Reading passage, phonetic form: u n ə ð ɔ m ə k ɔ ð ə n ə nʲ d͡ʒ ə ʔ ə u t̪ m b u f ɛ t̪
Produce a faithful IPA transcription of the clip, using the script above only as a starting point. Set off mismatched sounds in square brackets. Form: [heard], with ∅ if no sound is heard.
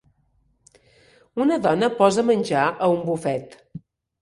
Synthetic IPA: u n ə ð ɔ [n] ə [p] ɔ [z] ə [m] ə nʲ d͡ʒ [a] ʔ ə u [∅] m b u f ɛ t̪

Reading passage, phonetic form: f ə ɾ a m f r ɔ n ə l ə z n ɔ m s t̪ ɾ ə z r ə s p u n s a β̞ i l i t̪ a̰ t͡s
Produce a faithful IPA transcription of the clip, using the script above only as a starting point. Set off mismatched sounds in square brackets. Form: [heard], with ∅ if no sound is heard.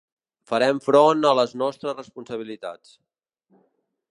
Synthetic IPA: f ə ɾ [ɛ] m f [ɾ] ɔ n ə l ə z n ɔ [∅] s t̪ ɾ ə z r ə s p u n s [ə] β̞ i l i t̪ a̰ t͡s

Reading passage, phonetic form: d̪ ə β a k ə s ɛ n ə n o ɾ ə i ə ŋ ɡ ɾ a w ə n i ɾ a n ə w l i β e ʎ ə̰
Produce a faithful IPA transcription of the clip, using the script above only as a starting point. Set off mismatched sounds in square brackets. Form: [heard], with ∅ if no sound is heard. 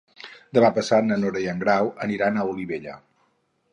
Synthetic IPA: d̪ ə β a [p] ə s [a] n ə n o ɾ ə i ə ŋ ɡ ɾ a w ə n i ɾ a n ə [u] l i β e ʎ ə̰

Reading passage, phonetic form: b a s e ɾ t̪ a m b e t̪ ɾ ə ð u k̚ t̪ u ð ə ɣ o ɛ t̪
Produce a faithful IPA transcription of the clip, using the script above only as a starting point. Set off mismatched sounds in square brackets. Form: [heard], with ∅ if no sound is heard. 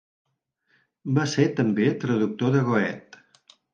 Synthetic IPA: b a s e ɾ t̪ [ə] m b e t̪ ɾ ə ð u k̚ t̪ [o] ð ə ɣ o ɛ t̪

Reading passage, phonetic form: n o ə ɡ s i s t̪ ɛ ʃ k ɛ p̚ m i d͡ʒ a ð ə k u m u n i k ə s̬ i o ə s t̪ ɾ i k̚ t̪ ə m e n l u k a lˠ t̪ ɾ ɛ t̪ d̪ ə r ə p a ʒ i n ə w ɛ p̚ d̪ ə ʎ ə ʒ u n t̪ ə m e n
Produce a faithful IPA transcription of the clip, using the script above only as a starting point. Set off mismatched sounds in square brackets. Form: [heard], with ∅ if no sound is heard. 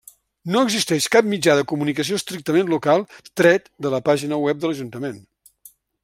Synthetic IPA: n o ə ɡ [z] i s t̪ ɛ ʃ k [a] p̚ m i d͡ʒ a ð ə k u m u n i k ə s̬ i o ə s t̪ ɾ i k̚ t̪ ə m e n l u k a lˠ t̪ ɾ ɛ t̪ d̪ ə [l] ə p a ʒ i n ə w ɛ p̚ d̪ ə [l] ə ʒ u n t̪ ə m e n

